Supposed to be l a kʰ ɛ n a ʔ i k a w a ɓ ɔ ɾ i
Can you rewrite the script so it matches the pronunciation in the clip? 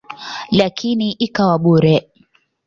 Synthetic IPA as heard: l a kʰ i n i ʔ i k a w a ɓ u ɾ ɛ